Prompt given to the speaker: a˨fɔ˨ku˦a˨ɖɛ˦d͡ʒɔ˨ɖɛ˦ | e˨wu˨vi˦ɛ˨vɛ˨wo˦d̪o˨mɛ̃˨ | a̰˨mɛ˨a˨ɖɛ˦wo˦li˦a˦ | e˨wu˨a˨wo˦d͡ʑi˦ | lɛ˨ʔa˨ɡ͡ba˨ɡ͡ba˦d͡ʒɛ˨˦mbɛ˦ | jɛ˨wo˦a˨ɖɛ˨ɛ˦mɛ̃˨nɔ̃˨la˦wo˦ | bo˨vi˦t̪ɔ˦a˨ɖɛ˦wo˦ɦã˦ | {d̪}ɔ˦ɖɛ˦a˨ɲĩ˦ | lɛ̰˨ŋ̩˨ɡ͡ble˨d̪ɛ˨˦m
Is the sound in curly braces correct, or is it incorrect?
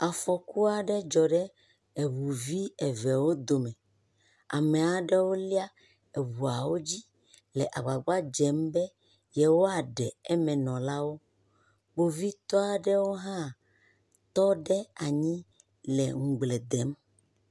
incorrect